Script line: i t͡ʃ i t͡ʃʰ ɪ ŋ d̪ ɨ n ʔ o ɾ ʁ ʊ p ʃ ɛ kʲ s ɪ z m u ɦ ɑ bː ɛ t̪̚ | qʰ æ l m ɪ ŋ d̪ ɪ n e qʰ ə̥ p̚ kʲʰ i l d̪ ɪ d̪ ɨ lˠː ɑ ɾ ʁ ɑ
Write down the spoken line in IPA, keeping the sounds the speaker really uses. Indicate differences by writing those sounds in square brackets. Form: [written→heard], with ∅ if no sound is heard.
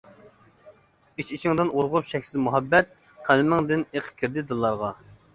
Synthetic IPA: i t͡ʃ i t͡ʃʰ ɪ ŋ d̪ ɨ n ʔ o ɾ ʁ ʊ p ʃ ɛ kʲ s ɪ z m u ɦ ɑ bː ɛ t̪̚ | qʰ æ l m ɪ ŋ d̪ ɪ n e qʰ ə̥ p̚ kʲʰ i [l→ɾ] d̪ ɪ d̪ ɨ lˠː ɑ ɾ ʁ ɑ